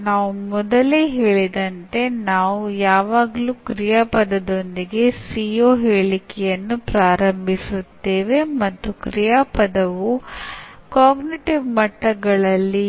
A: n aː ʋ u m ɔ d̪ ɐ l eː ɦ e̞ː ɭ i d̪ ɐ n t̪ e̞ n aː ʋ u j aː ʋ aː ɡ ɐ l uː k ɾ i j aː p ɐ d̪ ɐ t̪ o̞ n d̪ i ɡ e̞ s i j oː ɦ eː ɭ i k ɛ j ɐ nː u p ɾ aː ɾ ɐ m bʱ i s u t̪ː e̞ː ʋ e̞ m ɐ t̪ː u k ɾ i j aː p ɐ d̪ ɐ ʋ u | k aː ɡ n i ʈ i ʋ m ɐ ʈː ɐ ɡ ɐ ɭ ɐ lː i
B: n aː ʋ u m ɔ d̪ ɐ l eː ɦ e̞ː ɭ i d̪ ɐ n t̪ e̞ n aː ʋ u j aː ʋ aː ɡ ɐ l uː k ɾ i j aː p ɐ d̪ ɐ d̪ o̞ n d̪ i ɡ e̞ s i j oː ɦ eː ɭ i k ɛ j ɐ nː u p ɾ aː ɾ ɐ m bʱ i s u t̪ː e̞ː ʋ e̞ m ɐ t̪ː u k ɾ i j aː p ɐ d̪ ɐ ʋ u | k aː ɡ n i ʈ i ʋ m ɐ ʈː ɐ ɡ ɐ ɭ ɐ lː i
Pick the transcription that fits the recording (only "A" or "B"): B